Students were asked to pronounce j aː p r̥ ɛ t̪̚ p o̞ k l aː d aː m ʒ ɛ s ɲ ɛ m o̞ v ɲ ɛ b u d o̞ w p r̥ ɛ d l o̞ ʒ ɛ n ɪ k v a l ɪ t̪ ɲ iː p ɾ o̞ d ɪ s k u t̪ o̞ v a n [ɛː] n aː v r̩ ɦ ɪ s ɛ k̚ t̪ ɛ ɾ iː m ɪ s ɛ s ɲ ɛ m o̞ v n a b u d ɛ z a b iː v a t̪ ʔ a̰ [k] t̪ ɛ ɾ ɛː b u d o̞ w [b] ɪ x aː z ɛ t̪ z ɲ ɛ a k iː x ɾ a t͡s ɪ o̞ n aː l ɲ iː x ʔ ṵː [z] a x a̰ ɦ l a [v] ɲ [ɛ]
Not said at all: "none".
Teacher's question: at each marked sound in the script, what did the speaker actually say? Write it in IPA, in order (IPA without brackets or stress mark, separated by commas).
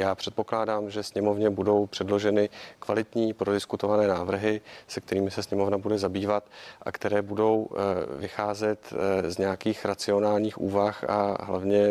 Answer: ɛː, k, v, v, v, ɛ